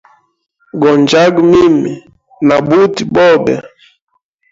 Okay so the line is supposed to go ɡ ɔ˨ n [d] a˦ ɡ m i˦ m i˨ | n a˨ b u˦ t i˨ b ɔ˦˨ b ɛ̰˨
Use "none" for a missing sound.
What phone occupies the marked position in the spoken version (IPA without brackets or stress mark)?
d͡ʒ